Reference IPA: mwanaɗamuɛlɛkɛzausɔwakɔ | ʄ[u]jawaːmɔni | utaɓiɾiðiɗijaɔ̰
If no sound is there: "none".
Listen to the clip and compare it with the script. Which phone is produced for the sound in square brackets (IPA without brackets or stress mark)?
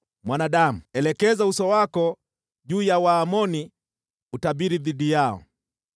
uː